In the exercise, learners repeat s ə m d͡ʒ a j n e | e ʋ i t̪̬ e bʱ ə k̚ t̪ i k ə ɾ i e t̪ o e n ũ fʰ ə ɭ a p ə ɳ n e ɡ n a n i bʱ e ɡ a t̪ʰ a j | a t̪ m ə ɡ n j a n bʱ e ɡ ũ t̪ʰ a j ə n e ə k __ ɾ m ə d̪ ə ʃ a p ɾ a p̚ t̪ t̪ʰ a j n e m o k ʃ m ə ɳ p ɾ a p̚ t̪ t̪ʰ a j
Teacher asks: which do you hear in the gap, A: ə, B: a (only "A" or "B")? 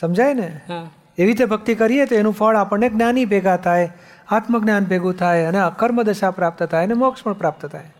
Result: A